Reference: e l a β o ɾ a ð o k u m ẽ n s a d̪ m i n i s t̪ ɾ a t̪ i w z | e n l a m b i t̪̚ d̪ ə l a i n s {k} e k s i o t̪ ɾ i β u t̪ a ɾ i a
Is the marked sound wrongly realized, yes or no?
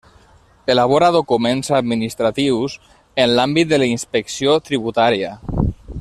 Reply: yes